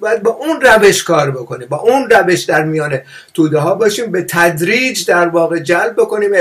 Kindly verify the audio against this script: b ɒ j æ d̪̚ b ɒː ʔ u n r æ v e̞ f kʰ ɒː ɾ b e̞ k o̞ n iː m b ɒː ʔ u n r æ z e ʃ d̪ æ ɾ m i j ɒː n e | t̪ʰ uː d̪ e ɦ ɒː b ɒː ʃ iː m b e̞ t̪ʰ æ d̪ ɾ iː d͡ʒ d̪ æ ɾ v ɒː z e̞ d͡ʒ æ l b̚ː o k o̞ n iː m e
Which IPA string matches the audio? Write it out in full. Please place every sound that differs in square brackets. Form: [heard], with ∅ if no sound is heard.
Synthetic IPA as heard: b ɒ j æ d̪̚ b ɒː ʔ u n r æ v e̞ [ʃ] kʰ ɒː ɾ b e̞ k o̞ n iː m b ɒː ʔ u n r æ [v] e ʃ d̪ æ ɾ m i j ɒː n e | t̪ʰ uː d̪ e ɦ ɒː b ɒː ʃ iː m b e̞ t̪ʰ æ d̪ ɾ iː d͡ʒ d̪ æ ɾ v ɒː [ɣ] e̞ d͡ʒ æ l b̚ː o k o̞ n iː m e